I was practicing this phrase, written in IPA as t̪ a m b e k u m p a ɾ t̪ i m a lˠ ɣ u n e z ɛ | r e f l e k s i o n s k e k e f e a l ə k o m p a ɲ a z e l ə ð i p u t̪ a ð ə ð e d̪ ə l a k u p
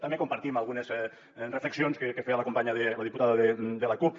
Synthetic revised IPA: t̪ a m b e k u m p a ɾ t̪ i m a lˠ ɣ u n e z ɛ | r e f l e k s i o n s k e k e f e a l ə k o m p a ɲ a ð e l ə ð i p u t̪ a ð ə ð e d̪ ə l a k u p